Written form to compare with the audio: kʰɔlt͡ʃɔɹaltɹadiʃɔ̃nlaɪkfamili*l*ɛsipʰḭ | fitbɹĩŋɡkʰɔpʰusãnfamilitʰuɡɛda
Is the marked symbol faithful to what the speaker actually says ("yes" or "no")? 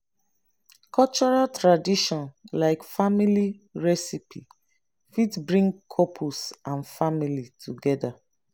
no